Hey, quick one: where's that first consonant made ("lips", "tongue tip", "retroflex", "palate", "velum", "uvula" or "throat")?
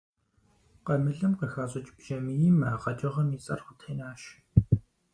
uvula